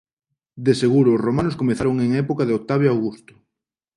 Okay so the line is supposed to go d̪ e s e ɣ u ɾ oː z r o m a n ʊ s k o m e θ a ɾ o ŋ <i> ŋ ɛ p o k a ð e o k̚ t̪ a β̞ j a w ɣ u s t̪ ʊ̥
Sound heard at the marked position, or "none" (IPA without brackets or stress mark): e